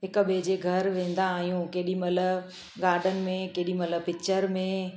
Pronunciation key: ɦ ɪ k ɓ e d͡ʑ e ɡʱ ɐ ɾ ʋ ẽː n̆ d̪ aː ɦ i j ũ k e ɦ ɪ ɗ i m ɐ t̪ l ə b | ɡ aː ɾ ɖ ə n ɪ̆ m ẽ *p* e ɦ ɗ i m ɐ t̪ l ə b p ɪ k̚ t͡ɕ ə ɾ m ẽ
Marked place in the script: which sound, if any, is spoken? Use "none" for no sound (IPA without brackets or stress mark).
k